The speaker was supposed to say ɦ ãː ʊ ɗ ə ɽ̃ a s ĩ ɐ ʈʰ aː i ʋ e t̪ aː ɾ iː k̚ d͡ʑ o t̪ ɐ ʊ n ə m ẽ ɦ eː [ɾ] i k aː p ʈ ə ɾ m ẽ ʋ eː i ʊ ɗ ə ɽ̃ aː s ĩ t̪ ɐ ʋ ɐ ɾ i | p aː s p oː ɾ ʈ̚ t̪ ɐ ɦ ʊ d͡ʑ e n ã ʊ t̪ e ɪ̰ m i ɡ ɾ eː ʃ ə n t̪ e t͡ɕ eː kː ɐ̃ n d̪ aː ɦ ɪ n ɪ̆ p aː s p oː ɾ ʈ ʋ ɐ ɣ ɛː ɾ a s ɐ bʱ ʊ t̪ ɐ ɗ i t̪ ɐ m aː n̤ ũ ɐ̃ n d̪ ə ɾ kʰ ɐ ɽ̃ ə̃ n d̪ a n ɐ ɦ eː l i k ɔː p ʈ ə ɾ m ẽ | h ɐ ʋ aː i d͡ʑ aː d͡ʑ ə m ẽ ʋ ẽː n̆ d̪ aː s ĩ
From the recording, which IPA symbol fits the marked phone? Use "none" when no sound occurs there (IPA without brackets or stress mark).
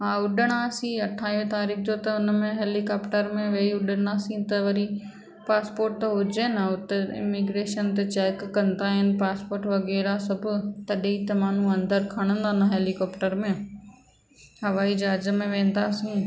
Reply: l